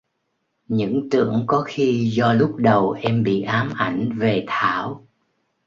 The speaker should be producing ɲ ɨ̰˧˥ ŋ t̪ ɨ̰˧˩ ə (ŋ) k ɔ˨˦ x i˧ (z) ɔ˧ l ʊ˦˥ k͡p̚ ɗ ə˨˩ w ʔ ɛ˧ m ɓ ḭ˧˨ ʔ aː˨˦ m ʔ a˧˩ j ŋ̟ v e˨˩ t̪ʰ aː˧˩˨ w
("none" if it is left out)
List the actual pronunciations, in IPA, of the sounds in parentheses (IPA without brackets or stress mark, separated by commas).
ŋ, z